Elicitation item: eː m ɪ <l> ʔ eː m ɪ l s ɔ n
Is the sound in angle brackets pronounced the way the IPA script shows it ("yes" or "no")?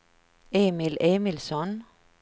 yes